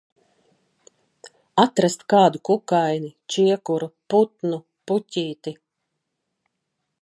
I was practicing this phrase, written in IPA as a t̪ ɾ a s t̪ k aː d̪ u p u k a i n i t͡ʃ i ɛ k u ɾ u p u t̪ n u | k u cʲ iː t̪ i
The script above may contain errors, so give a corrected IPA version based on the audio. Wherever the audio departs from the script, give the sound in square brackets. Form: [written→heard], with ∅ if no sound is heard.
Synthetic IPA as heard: a t̪ ɾ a s t̪ k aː d̪ u [p→k] u k a [i→j] n i t͡ʃ i ɛ k u ɾ u p u t̪ n u | [k→p] u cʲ iː t̪ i